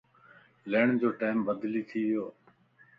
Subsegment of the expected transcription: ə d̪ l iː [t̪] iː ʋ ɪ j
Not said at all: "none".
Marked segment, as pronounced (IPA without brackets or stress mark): t̪ʰ